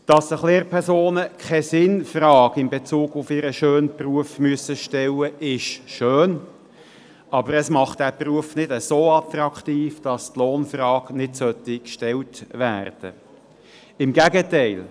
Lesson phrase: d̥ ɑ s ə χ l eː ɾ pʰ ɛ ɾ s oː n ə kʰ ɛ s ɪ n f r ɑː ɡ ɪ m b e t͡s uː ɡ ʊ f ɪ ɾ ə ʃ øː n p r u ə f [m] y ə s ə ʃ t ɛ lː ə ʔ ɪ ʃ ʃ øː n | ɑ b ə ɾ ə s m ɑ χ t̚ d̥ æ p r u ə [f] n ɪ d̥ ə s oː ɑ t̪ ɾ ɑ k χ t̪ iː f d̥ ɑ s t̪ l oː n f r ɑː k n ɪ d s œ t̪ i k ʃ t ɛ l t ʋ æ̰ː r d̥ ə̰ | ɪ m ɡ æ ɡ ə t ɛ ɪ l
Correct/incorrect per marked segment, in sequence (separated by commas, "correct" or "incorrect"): correct, correct